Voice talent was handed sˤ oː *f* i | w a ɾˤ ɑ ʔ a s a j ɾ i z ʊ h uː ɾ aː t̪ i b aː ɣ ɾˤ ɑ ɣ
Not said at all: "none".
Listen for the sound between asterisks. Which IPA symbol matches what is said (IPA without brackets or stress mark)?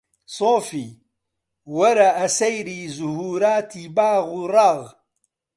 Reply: f